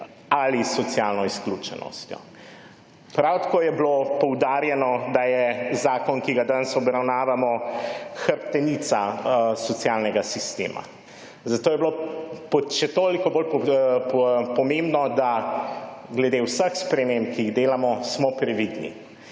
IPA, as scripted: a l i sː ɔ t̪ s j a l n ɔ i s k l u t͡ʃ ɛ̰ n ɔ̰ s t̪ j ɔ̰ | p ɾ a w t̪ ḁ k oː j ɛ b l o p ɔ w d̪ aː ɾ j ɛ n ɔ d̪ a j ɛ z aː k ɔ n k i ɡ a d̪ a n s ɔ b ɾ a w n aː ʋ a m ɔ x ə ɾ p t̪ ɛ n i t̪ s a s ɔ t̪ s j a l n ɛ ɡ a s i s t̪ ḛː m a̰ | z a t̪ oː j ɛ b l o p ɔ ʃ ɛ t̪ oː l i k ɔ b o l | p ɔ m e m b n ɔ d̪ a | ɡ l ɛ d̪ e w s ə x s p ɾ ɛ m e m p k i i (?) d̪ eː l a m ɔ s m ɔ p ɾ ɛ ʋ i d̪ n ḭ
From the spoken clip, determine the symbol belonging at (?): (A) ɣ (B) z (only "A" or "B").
A